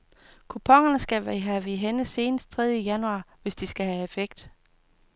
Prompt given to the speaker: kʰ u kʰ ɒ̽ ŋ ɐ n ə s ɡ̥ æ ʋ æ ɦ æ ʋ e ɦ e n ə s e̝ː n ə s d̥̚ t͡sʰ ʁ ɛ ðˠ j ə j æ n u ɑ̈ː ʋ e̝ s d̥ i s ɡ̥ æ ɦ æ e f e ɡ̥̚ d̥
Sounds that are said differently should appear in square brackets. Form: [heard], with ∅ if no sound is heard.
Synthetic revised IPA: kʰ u [pʰ] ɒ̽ ŋ ɐ n ə s ɡ̥ æ ʋ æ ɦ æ ʋ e ɦ e n ə s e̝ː n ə s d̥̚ t͡sʰ ʁ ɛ ðˠ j ə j æ n u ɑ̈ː ʋ e̝ s d̥ i s ɡ̥ æ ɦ æ e f e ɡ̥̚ d̥